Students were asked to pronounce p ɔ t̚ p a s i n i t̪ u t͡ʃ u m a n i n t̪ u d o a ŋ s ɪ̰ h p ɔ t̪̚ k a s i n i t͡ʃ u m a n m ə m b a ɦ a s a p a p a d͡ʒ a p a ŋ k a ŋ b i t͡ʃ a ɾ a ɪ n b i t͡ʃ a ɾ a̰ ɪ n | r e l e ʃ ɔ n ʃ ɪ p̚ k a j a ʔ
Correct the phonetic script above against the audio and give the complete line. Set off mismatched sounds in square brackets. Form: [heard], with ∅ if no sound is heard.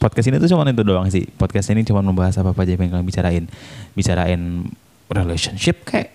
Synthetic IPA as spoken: p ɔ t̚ [k] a s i n i t̪ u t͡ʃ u m a n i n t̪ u d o a ŋ s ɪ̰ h p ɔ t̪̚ k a s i n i t͡ʃ u m a n m ə m b a ɦ a s a p a p a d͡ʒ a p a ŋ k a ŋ b i t͡ʃ a ɾ a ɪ n b i t͡ʃ a ɾ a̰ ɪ n | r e l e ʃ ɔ n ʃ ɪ p̚ k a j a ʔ